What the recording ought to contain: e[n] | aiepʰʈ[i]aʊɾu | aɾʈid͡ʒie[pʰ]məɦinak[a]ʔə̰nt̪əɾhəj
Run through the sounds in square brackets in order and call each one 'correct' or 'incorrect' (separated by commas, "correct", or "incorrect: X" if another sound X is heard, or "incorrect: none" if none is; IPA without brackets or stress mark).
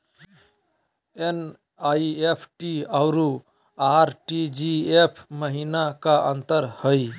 correct, correct, correct, correct